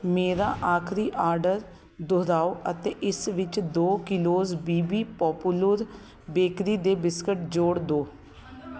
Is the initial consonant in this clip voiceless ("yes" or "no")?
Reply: no